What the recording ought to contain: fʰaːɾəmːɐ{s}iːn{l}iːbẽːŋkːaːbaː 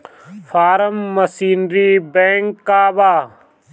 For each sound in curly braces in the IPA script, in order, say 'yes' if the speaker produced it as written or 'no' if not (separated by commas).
yes, no